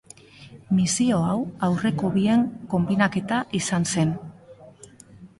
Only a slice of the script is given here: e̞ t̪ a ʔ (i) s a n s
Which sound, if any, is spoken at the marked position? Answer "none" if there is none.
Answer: i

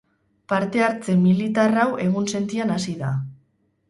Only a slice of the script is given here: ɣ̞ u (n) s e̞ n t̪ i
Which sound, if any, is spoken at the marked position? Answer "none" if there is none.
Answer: n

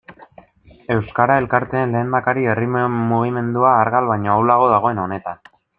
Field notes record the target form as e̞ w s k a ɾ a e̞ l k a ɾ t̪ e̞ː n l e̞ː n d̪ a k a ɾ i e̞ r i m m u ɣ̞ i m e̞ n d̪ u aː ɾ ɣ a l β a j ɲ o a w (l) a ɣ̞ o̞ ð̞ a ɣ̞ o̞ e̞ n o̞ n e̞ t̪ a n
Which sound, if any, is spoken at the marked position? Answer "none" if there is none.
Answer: l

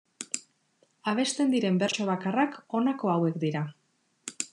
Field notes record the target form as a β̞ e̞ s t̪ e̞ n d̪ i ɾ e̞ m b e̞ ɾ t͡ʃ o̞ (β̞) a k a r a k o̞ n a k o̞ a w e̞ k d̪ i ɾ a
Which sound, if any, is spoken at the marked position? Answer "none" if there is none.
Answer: β̞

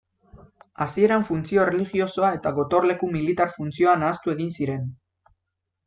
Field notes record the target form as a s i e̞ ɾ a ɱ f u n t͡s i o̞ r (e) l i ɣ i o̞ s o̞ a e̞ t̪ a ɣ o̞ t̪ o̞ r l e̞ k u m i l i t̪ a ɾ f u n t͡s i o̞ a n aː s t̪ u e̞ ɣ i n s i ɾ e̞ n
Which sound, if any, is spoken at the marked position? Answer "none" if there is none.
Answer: e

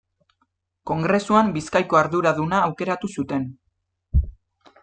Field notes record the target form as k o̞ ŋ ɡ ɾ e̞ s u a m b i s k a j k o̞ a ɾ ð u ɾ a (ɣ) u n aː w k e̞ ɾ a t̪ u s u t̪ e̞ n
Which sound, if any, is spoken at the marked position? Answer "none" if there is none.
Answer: ð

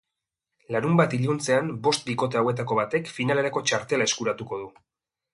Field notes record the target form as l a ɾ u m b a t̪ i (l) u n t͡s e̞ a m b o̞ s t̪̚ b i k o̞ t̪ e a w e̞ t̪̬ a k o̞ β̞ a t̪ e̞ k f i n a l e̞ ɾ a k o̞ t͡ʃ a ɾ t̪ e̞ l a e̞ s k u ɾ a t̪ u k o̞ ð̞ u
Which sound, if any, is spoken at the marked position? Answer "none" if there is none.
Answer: ʎ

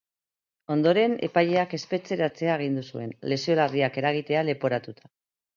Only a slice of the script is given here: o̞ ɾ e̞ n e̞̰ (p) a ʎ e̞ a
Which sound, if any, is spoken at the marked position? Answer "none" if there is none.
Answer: p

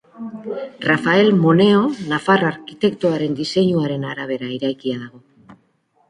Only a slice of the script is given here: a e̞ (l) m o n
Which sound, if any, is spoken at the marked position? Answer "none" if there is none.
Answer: l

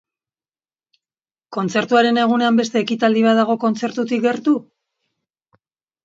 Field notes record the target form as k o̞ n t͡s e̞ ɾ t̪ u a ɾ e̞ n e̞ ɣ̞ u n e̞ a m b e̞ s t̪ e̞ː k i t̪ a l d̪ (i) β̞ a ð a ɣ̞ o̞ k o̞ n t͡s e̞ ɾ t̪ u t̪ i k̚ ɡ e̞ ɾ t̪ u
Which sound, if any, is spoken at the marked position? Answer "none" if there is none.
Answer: i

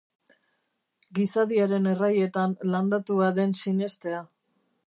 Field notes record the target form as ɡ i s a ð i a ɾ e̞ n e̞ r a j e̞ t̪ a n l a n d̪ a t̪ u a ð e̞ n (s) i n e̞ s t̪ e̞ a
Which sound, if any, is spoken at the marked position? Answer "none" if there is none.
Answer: s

